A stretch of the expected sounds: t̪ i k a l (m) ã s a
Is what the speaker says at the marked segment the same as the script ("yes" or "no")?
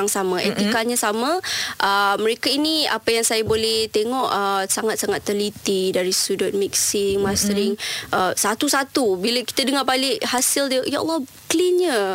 no